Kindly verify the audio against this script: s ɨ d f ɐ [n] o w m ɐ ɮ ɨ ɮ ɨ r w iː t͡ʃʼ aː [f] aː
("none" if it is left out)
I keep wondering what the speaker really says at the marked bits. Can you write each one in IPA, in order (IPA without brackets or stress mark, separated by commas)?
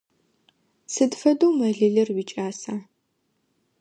d, s